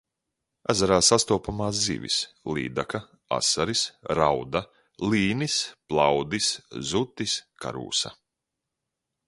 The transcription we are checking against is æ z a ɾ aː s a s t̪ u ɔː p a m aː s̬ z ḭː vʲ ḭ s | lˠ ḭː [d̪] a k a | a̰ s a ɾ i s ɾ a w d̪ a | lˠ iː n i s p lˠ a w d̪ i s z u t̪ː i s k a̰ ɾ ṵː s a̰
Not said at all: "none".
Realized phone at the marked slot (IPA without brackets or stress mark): d̪